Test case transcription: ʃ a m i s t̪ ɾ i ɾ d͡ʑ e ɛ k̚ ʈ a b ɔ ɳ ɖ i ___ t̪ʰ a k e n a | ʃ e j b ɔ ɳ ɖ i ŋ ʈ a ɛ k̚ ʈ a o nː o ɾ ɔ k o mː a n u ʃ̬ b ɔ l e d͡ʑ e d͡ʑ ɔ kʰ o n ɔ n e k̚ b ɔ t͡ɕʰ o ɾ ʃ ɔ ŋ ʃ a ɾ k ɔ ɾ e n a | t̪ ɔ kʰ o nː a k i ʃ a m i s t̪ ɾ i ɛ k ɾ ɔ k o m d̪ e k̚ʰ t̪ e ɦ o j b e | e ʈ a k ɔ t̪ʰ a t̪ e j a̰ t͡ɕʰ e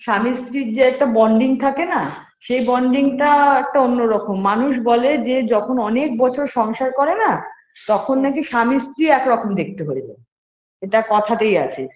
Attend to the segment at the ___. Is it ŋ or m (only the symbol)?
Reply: ŋ